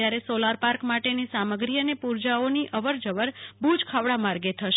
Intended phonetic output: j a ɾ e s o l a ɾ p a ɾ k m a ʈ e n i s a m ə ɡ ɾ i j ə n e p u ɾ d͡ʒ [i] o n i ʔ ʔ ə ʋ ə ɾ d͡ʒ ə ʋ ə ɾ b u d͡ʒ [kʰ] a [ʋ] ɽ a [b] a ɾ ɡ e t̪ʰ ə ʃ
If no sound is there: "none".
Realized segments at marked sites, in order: a, kʰ, ʋ, m

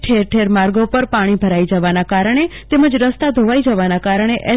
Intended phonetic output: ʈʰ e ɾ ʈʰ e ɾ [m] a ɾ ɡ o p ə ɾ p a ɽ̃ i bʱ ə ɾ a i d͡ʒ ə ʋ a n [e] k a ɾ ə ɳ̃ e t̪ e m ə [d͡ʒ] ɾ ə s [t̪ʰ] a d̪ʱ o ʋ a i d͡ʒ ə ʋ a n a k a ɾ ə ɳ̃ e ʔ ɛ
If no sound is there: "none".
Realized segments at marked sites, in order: m, a, d͡ʒ, t̪

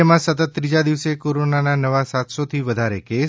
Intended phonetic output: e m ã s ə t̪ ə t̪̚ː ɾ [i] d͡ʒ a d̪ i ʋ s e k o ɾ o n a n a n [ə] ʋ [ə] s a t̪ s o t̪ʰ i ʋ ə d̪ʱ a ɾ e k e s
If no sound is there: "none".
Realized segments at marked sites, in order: i, ə, a

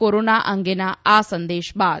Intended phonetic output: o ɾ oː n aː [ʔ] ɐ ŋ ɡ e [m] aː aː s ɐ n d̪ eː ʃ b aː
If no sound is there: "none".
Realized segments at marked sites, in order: ʔ, n

